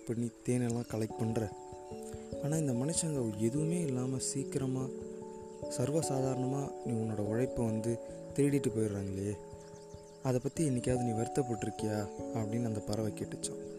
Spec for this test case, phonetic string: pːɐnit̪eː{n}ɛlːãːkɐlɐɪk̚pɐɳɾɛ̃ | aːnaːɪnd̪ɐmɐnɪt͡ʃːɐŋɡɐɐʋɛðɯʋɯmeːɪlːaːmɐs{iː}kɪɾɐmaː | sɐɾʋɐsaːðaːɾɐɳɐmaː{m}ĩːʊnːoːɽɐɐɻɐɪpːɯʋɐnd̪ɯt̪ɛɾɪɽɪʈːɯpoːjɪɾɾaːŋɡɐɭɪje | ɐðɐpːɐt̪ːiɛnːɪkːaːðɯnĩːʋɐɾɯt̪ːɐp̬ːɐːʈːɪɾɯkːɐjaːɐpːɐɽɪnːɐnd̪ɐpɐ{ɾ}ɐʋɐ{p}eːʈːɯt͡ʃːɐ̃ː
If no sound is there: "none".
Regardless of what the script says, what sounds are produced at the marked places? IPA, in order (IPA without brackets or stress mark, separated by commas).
n, iː, n, ɾ, k